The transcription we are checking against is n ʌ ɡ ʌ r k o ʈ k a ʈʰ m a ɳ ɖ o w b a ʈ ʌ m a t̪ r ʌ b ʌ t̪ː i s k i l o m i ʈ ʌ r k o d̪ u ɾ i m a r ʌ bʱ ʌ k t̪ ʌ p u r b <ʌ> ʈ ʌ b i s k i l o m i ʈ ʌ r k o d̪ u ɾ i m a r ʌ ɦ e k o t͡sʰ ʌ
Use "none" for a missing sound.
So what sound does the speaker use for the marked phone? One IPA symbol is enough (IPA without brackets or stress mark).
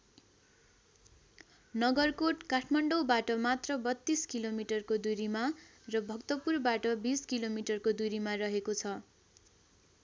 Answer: a